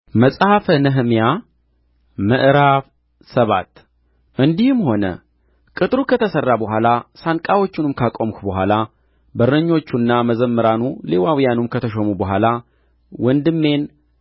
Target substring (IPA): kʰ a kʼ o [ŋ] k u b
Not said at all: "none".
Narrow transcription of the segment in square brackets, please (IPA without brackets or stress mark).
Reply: m